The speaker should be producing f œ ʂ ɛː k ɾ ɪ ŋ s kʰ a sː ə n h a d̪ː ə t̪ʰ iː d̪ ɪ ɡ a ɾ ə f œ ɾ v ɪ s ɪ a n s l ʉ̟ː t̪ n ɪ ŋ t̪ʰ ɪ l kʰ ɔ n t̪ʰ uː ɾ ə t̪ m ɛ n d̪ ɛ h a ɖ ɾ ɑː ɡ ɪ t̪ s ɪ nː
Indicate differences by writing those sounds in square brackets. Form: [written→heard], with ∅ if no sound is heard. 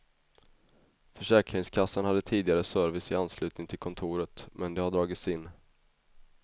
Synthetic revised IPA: f œ ʂ ɛː k ɾ ɪ ŋ s kʰ a sː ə n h a d̪ː ə t̪ʰ iː d̪ ɪ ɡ a ɾ ə [f→s] œ ɾ v ɪ s ɪ a n s l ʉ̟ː t̪ n ɪ ŋ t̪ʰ ɪ l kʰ ɔ n t̪ʰ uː ɾ ə t̪ m ɛ n d̪ ɛ h a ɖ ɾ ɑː ɡ ɪ t̪ s ɪ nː